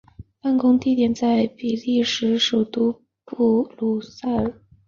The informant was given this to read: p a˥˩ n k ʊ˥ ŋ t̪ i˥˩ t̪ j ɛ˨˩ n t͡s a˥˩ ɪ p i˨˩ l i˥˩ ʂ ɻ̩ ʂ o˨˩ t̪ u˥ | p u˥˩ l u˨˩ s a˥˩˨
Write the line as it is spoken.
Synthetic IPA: p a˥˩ n k ʊ˥ ŋ t̪ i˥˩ t̪ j ɛ˨˩ n t͡s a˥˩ ɪ p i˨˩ l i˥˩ ʂ ɻ̩ ʂ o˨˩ t̪ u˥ | p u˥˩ l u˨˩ s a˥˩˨